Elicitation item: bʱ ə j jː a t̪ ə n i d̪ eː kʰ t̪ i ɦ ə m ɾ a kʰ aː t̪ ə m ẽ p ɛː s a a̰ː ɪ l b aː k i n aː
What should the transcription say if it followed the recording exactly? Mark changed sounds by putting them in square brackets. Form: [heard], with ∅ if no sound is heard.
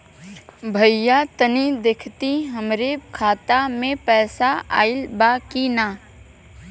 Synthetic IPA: bʱ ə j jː a t̪ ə n i d̪ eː kʰ t̪ i ɦ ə m ɾ [e] kʰ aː t̪ [a] m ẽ p ɛː s a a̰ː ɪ l b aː k i n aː

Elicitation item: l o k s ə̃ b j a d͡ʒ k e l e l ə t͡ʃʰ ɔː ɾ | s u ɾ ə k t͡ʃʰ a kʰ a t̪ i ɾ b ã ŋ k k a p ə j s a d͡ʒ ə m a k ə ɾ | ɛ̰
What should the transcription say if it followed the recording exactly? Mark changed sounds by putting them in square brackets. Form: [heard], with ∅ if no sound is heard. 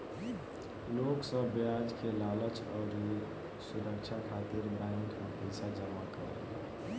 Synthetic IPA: l o k s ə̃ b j a d͡ʒ k e l [a] l ə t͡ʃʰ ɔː ɾ | s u ɾ ə k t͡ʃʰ a kʰ a t̪ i ɾ b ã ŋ k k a p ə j s a d͡ʒ ə m a k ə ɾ | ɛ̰

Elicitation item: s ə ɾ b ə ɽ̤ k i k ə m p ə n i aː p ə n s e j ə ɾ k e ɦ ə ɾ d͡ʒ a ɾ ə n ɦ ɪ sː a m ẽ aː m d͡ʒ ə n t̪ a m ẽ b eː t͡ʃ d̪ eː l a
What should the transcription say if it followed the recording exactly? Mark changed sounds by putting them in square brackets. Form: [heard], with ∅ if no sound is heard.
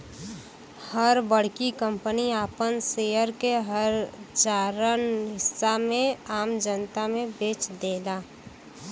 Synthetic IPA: [h] ə ɾ b ə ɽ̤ k i k ə m p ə n i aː p ə n s e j ə ɾ k e ɦ ə ɾ d͡ʒ a ɾ ə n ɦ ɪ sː a m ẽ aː m d͡ʒ ə n t̪ a m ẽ b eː t͡ʃ d̪ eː l a

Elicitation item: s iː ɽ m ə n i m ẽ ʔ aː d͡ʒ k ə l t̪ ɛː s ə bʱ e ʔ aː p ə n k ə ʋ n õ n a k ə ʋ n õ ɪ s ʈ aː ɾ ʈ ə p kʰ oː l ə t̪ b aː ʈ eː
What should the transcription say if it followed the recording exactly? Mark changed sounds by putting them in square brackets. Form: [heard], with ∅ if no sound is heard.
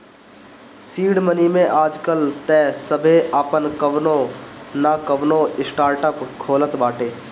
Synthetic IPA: s iː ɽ m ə n i m ẽ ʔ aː d͡ʒ k ə l t̪ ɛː s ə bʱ e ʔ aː p ə n k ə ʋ n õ n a k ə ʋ n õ ɪ s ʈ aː ɾ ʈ ə p kʰ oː l ə t̪ b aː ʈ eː

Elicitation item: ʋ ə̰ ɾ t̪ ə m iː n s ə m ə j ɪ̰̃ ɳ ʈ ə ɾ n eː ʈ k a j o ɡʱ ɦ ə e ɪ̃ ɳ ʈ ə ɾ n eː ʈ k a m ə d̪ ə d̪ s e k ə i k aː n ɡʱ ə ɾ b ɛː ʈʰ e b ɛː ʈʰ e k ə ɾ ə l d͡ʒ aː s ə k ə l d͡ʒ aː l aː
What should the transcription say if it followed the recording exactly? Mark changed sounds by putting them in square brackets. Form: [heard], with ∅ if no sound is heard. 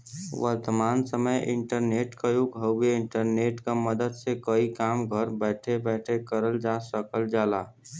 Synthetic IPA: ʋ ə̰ ɾ t̪ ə m [aː] n s ə m ə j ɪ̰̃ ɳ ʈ ə ɾ n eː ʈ k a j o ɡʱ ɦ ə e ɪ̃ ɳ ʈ ə ɾ n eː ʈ k a m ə d̪ ə d̪ s e k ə i k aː [m] ɡʱ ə ɾ b ɛː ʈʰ e b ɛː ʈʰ e k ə ɾ ə l d͡ʒ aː s ə k ə l d͡ʒ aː l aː

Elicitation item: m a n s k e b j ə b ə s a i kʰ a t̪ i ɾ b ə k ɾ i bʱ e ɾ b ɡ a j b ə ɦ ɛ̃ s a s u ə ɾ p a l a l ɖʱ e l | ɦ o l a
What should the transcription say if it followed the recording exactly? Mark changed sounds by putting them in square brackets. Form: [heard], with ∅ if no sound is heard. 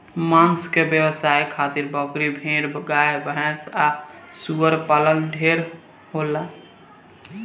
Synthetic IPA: m a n s k e b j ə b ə s a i kʰ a t̪ i ɾ b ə k ɾ i bʱ e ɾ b ɡ a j b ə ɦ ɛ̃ s a s u ə ɾ p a l [ə] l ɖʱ e [ɾ] | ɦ o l a

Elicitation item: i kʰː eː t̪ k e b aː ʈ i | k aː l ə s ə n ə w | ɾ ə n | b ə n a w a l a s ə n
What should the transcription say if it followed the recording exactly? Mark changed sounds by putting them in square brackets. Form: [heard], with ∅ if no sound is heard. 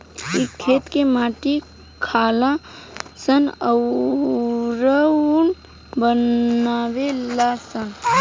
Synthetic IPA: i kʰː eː t̪ k e [m] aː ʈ i | [kʰ] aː l [a] s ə n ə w | ɾ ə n | b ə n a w [e] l a s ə n

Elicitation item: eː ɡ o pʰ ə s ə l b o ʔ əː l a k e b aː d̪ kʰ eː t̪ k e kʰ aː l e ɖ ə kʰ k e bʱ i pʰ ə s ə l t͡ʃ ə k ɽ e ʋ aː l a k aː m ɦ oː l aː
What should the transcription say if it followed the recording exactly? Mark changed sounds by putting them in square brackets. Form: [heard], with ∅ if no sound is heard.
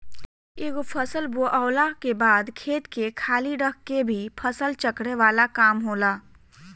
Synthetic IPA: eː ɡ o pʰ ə s ə l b o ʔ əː l a k e b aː d̪ kʰ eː t̪ k e kʰ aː l [i] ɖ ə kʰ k e bʱ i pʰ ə s ə l t͡ʃ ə k ɽ e ʋ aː l a k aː m ɦ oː l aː

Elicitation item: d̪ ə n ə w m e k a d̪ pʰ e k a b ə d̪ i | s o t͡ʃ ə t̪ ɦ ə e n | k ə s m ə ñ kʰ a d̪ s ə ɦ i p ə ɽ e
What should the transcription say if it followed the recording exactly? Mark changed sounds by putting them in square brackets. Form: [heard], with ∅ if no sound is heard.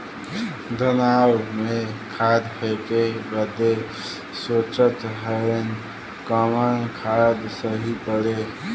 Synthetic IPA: d̪ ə n [a] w m e [kʰ] a d̪ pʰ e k [e] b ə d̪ [e] | s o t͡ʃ ə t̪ ɦ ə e n | k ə [∅] m ə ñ kʰ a d̪ s ə ɦ i p ə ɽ e

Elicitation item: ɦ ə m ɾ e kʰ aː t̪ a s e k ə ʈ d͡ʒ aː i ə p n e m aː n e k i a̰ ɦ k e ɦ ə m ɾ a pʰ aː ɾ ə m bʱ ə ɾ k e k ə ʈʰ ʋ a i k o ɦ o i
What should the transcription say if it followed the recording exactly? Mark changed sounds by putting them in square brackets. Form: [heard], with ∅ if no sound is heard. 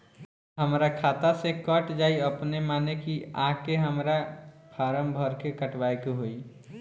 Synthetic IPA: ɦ ə m ɾ [a] kʰ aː t̪ a s e k ə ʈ d͡ʒ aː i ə p n e m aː n e k i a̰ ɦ k e ɦ ə m ɾ a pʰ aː ɾ ə m bʱ ə ɾ k e k ə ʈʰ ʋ a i k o ɦ o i

